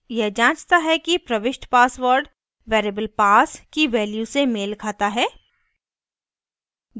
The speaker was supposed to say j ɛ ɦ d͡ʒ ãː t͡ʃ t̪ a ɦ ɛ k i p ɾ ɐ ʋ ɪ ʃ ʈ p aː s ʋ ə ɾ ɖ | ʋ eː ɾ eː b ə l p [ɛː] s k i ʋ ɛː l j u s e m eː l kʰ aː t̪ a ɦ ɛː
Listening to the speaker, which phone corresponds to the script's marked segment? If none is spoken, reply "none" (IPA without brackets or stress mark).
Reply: aː